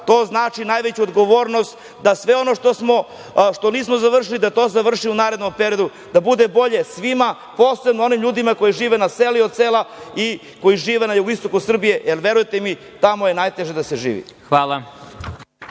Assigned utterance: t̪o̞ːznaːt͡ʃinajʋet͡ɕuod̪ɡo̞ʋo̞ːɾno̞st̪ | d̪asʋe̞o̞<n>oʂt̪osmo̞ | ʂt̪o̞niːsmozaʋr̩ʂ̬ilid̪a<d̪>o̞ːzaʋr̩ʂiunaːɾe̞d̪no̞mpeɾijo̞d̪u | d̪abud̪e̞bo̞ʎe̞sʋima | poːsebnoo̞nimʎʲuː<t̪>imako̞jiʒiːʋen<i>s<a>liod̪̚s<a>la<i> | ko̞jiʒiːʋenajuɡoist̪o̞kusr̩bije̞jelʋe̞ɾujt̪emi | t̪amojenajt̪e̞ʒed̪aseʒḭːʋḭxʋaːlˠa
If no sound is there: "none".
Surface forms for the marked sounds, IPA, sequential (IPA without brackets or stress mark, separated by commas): n, t̪, d̪, a, e, e, i